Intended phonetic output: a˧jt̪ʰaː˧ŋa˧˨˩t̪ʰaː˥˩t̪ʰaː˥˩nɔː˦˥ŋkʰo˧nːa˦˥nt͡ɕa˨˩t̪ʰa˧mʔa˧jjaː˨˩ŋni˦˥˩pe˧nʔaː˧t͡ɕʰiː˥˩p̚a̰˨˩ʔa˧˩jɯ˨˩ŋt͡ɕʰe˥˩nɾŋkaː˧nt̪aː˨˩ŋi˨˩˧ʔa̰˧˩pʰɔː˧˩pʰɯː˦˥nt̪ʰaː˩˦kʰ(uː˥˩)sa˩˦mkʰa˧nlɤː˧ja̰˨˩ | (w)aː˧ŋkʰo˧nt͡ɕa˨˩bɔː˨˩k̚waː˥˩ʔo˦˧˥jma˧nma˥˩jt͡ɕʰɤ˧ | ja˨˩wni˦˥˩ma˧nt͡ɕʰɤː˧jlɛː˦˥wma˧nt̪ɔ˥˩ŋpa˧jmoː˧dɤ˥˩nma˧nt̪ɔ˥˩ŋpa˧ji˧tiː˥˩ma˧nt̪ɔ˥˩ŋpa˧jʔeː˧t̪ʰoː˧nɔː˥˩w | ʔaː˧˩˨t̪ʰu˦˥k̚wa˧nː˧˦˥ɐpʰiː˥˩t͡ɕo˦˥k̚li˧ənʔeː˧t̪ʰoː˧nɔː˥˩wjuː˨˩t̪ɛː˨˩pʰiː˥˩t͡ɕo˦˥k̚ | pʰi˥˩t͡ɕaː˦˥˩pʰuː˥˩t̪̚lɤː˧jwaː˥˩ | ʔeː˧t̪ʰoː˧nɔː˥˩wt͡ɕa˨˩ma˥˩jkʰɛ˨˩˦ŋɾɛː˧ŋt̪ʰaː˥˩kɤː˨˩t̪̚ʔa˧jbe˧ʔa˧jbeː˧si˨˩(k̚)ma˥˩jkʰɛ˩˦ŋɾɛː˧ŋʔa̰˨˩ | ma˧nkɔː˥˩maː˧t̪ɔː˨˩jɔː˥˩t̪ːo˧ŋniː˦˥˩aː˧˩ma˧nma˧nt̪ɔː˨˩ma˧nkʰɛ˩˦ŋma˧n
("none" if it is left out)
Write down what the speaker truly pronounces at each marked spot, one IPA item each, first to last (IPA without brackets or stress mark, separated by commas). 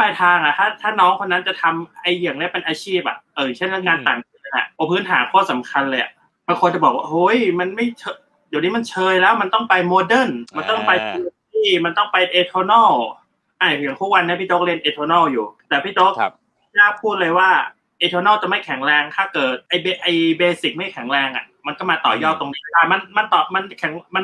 ɔː˥˩, b, k̚